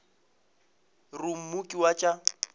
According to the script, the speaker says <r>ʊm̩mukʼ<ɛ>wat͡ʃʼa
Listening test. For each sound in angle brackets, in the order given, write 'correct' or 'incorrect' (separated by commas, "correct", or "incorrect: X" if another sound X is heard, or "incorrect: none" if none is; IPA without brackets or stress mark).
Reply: correct, incorrect: i